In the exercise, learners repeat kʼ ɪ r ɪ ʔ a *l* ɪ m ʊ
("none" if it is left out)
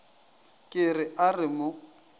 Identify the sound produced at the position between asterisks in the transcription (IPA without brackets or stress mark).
r